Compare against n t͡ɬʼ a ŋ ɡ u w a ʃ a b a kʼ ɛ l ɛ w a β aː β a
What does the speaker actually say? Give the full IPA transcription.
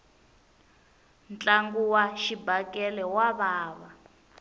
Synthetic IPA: n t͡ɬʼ a ŋ ɡ u w a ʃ i b a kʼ ɛ l ɛ w a β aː β a